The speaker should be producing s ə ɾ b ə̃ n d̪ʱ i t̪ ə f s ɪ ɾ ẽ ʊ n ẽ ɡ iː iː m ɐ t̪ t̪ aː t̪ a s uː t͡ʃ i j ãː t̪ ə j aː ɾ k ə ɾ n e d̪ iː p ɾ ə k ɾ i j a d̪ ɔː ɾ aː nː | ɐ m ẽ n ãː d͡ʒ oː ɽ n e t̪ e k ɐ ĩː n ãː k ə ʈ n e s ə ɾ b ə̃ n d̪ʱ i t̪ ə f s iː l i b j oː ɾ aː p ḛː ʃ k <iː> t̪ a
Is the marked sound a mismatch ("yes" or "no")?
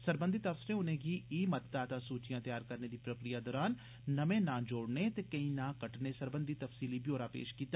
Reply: no